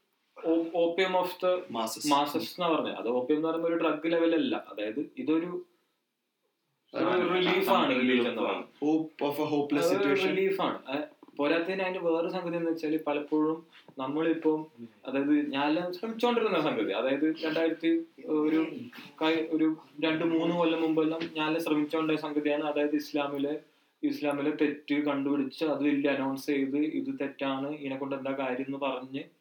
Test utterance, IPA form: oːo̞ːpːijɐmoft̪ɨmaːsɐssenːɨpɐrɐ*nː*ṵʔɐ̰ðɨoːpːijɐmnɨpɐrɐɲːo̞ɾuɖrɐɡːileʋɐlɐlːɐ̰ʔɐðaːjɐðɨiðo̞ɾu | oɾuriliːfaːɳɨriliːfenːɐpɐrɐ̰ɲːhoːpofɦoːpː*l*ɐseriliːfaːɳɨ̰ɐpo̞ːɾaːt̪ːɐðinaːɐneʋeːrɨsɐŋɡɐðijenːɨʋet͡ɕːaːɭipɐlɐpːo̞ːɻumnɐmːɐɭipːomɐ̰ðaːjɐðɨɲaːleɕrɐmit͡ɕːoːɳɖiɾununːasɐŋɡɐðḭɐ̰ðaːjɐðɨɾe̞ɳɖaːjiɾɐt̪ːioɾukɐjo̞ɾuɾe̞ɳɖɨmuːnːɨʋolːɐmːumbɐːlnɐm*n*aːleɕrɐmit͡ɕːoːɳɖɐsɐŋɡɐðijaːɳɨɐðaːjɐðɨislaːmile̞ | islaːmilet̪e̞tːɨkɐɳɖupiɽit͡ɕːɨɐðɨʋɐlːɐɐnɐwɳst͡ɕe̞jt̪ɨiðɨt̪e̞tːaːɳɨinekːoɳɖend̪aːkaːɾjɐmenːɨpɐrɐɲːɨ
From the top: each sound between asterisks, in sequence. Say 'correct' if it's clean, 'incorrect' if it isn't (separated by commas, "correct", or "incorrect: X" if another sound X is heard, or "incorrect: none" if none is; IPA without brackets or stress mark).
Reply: incorrect: ɲː, correct, incorrect: ɲ